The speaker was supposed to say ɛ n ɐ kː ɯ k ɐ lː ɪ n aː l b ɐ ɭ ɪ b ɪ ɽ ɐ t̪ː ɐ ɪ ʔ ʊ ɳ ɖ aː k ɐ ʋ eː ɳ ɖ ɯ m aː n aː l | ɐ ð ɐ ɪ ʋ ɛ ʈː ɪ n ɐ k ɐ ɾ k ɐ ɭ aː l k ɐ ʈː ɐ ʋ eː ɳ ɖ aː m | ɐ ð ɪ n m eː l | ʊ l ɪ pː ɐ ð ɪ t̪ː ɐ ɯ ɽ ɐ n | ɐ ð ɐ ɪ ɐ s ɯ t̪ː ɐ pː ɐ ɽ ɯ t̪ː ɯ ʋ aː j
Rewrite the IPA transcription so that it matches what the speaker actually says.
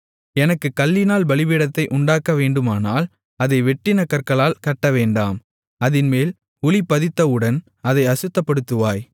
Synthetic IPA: ɛ n ɐ kː ɯ k ɐ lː ɪ n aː l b ɐ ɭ ɪ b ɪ ɽ ɐ t̪ː ɐ ɪ ʔ ʊ ɳ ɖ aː k ɐ ʋ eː ɳ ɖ ɯ m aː n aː l | ɐ ð ɐ ɪ ʋ ɛ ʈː ɪ n ɐ k ɐ ɾ k ɐ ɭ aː l k ɐ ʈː ɐ ʋ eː ɳ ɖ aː m | ɐ ð ɪ n m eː l | ʊ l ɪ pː ɐ ð ɪ t̪ː ɐ ɯ ɽ ɐ n | ɐ ð ɐ ɪ ɐ s ɯ t̪ː ɐ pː ɐ ɽ ɯ t̪ː ɯ ʋ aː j

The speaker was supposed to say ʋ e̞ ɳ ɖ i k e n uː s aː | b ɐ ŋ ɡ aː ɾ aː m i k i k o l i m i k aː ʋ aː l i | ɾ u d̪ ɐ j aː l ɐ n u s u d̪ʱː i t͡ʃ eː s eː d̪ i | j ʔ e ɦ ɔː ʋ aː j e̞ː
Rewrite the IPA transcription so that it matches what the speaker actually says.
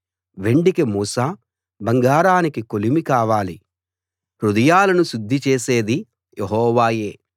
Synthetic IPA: ʋ e̞ ɳ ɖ i k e m uː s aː | b ɐ ŋ ɡ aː ɾ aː n i k i k o l i m i k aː ʋ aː l i | ɾ u d̪ ɐ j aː l ɐ n u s u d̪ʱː i t͡ʃ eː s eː d̪ i | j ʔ e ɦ ɔː ʋ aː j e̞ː

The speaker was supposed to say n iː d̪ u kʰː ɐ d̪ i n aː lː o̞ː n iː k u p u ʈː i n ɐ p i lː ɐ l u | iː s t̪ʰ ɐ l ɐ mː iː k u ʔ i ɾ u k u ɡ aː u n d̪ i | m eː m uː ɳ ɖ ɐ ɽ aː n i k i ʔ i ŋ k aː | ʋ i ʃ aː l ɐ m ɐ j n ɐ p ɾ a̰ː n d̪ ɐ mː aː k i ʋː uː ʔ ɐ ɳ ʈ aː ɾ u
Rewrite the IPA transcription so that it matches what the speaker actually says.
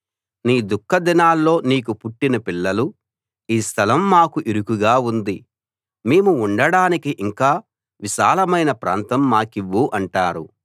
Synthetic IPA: n iː d̪ u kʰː ɐ d̪ i n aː lː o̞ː n iː k u p u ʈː i n ɐ p i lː ɐ l u | iː s t̪ʰ ɐ l ɐ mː aː k u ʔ i ɾ u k u ɡ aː u n d̪ i | m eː m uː ɳ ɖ ɐ ɽ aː n i k i ʔ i ŋ k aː | ʋ i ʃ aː l ɐ m ɐ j n ɐ p ɾ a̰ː n t̪ ɐ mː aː k i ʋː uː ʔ ɐ ɳ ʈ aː ɾ u

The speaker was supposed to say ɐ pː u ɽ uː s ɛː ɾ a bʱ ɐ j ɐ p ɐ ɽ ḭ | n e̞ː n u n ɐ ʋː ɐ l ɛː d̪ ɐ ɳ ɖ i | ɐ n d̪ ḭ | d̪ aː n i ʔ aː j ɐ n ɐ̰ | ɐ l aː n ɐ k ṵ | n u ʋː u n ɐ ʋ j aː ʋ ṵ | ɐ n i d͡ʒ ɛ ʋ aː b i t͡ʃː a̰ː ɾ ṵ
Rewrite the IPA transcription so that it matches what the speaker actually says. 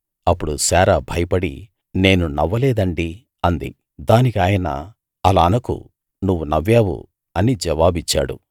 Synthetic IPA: ɐ pː u ɽ u s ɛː ɾ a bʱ ɐ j ɐ p ɐ ɽ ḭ | n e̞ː n u n ɐ ʋː ɐ l ɛː d̪ ɐ ɳ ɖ i | ɐ n d̪ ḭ | d̪ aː n i k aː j ɐ n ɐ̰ | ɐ l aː n ɐ k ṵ | n u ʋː u n ɐ ʋ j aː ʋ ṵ | ɐ n i d͡ʒ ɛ ʋ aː b i t͡ʃː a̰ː ɽ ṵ

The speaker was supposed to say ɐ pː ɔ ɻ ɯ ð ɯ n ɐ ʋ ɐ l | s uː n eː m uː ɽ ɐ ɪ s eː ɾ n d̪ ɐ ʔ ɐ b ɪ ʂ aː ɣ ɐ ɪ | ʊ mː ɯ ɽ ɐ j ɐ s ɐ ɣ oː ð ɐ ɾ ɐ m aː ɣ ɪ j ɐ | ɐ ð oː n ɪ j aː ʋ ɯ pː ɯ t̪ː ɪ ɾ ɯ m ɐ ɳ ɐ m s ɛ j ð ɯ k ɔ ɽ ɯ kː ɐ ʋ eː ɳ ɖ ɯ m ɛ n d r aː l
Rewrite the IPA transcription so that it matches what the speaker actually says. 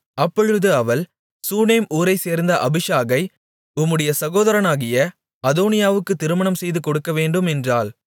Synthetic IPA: ɐ pː ɔ ɻ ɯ ð ɯ ɐ ʋ ɐ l | s uː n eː m uː ɾ ɐ ɪ s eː ɾ n d̪ ɐ ʔ ɐ b ɪ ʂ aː ɣ ɐ ɪ | ʊ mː ɯ ɽ ɐ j ɐ s ɐ ɣ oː ð ɐ ɾ ɐ n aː ɣ ɪ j ɐ | ɐ ð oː n ɪ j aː ʋ ɯ kː ɯ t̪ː ɪ ɾ ɯ m ɐ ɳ ɐ m s ɛ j ð ɯ k ɔ ɽ ɯ kː ɐ ʋ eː ɳ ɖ ɯ m ɛ n d r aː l

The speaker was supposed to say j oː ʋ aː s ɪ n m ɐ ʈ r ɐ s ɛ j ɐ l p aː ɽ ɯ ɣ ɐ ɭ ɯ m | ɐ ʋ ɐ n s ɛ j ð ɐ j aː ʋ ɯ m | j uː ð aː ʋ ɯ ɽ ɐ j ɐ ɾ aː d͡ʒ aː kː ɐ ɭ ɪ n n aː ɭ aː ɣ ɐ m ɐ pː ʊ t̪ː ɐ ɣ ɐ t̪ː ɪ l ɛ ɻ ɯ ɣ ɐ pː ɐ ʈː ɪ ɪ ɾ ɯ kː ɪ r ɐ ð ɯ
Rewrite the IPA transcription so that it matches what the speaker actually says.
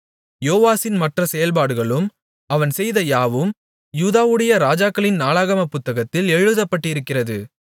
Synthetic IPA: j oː ʋ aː s ɪ n m ɐ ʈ r ɐ s ɛ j ɐ l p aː ɽ ɯ ɣ ɐ ɭ ɯ m | ɐ ʋ ɐ n s ɛ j ð ɐ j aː ʋ ɯ m | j uː ð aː ʋ ɯ ɽ ɐ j ɐ ɾ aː d͡ʒ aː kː ɐ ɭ ɪ n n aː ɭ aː ɣ ɐ m ɐ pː ʊ t̪ː ɐ ɣ ɐ t̪ː ɪ l ɛ ɻ ɯ ð ɐ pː ɐ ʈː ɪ ɪ ɾ ɯ kː ɪ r ɐ ð ɯ

